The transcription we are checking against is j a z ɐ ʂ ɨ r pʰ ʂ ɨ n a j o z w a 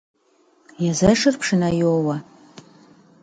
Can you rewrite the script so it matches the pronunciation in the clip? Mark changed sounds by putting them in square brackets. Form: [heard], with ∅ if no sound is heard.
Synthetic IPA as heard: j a z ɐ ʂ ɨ r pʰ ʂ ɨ n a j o [∅] w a